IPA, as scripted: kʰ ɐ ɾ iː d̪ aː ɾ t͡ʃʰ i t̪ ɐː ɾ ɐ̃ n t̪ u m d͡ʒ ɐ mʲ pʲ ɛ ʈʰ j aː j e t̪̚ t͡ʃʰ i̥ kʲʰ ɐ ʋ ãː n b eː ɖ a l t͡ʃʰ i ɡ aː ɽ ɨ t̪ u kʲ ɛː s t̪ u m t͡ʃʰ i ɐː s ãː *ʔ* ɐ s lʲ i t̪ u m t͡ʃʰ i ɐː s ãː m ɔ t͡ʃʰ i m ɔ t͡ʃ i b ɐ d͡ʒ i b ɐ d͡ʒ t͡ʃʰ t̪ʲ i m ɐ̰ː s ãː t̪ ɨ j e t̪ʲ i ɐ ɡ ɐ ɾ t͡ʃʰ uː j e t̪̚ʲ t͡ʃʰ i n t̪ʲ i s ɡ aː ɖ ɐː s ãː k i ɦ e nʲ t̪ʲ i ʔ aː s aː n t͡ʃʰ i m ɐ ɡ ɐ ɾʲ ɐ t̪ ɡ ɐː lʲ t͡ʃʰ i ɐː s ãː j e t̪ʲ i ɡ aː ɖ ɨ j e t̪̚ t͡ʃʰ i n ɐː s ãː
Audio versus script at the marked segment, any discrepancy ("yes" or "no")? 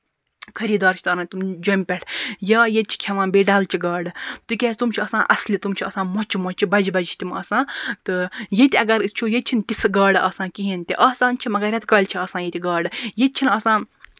no